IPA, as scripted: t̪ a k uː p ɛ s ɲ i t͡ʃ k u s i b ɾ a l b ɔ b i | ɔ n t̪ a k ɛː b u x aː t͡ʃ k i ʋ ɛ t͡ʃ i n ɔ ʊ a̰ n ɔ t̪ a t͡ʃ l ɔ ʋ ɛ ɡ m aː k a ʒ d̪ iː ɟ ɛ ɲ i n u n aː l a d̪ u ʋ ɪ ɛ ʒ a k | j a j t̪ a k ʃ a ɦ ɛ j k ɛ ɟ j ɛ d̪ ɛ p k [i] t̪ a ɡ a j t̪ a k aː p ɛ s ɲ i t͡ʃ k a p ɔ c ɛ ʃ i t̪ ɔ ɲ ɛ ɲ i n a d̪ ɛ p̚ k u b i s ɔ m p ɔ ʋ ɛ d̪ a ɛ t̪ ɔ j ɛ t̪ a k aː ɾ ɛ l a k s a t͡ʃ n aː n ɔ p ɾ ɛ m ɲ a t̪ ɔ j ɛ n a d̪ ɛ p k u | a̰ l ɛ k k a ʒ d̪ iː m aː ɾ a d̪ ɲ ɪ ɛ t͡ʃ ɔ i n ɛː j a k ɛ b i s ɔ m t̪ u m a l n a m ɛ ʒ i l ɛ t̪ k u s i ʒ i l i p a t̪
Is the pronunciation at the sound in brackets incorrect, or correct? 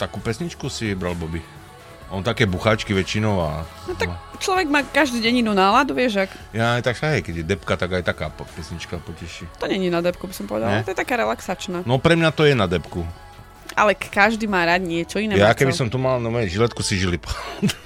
incorrect